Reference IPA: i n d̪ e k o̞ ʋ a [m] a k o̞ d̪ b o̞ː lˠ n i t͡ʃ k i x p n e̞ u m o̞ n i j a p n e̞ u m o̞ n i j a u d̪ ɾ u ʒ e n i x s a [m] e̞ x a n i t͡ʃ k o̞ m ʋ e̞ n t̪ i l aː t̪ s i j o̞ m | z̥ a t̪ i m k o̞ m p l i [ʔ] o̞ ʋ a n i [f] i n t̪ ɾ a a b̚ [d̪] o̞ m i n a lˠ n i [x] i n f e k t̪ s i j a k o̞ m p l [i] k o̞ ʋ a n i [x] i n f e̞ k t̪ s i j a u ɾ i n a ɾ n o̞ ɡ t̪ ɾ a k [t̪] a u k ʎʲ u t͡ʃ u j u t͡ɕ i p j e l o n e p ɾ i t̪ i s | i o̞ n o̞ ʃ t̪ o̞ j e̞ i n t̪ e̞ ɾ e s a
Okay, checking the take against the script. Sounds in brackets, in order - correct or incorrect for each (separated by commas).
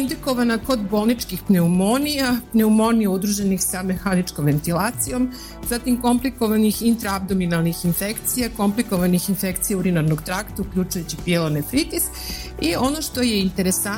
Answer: incorrect, correct, incorrect, incorrect, correct, correct, correct, correct, correct